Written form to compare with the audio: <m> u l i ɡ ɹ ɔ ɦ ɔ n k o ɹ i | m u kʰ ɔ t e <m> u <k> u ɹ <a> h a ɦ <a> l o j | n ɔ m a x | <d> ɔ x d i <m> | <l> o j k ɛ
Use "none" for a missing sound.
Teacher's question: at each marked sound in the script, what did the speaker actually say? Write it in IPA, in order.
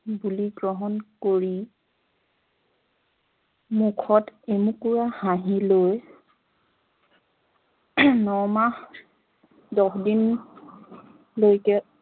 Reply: b, m, k, a, i, d, n, l

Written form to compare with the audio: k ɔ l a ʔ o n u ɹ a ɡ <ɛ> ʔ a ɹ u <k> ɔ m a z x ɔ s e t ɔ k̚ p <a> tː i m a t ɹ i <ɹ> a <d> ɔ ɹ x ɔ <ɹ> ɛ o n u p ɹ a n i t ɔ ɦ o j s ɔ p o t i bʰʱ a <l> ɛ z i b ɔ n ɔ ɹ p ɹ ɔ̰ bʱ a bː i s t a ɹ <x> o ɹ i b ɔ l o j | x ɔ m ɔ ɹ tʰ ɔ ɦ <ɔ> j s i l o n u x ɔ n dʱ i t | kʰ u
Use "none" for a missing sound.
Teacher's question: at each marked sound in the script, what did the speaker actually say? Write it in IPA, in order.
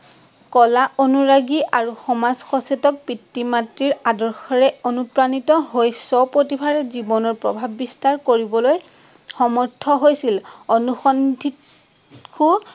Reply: i, x, i, ɹ, d, ɹ, ɹ, k, o

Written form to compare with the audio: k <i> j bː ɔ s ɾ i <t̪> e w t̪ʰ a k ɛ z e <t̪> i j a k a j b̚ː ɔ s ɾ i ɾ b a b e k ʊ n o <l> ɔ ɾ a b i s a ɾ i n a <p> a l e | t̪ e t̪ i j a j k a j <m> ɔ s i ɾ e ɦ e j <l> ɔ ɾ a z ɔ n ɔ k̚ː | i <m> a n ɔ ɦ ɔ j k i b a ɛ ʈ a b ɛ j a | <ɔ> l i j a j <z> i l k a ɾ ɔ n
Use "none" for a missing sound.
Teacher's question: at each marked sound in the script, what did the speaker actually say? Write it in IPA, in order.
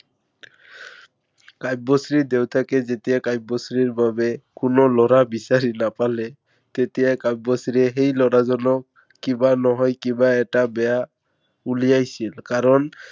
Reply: a, d̪, t̪, l, p, b, l, b, u, s

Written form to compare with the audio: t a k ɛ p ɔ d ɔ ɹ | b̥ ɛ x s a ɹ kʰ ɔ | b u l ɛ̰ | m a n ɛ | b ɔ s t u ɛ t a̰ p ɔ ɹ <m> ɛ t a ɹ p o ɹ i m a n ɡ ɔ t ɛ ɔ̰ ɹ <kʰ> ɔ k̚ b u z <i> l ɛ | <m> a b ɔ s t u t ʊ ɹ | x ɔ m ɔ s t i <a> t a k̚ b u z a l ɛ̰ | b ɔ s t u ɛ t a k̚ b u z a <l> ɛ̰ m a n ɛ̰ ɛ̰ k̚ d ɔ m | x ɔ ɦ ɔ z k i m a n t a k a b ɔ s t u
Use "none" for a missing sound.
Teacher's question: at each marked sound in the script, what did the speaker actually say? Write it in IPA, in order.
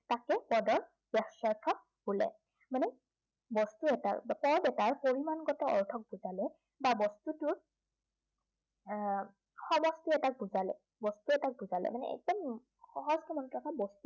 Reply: b, tʰ, a, b, ɛ, l

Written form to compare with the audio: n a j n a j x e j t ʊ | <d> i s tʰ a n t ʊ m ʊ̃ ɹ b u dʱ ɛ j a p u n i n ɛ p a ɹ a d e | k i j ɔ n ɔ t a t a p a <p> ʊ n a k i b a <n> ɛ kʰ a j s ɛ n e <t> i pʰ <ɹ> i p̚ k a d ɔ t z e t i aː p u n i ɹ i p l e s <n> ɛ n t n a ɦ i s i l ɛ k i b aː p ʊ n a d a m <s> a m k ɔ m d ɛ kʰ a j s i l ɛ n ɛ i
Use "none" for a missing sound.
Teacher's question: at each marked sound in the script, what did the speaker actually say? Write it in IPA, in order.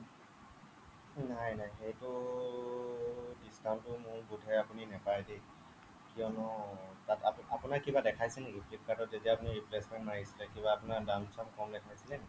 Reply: d, p, d, k, l, m, s

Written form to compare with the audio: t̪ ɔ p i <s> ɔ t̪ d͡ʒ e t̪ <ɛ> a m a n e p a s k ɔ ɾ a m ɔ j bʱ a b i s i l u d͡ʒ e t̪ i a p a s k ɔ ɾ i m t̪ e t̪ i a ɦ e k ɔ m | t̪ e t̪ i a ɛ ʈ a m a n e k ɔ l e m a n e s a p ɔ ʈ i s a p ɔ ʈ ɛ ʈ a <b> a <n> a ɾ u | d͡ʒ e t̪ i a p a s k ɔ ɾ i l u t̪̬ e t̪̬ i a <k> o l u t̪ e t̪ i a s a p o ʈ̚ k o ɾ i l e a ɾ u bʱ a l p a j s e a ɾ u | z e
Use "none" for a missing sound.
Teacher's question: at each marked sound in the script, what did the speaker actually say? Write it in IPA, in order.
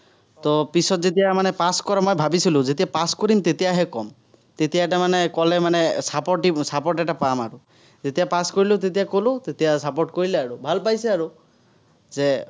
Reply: s, i, p, m, k

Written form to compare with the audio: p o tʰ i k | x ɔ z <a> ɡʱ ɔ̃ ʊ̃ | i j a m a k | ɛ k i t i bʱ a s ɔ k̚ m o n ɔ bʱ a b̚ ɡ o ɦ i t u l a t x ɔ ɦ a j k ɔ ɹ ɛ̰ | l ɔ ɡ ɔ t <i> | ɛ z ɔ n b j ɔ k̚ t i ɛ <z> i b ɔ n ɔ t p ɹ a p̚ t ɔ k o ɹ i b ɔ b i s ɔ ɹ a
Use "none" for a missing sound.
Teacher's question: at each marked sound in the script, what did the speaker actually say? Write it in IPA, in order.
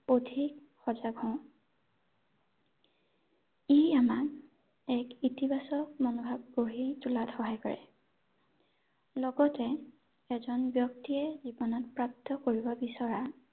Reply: a, ɛ, z

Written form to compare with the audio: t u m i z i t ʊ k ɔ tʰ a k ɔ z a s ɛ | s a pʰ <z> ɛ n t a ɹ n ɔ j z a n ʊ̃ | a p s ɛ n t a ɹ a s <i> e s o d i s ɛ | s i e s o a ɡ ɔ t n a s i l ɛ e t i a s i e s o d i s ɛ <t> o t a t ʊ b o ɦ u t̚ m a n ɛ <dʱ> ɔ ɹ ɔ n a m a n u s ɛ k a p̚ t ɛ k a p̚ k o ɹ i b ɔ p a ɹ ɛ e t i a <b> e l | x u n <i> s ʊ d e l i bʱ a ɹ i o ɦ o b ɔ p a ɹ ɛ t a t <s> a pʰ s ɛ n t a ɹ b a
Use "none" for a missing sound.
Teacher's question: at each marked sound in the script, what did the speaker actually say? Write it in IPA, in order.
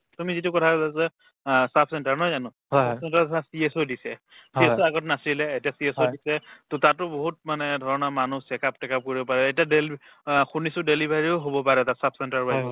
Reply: s, i, t, dʱ, d, i, s

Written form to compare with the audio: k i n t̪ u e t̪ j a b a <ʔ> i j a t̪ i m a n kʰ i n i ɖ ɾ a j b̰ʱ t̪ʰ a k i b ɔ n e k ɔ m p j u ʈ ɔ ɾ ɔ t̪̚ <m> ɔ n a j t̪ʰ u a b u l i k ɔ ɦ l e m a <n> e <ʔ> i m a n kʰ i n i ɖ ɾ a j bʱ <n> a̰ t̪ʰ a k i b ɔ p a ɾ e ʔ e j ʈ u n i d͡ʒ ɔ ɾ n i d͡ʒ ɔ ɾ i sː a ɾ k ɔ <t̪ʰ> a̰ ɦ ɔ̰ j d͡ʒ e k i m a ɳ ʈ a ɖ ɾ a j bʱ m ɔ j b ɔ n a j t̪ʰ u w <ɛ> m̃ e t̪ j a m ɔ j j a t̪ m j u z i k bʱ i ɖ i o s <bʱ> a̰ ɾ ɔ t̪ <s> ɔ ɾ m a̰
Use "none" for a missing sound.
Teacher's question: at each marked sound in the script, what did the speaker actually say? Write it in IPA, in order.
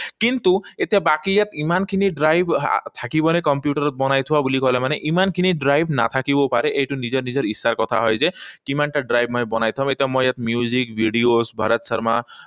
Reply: k, b, n, ʔ, n, t̪ʰ, a, bʱ, s

